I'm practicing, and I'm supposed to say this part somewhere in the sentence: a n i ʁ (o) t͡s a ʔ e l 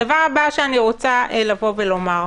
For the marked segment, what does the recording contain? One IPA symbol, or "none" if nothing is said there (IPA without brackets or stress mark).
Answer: o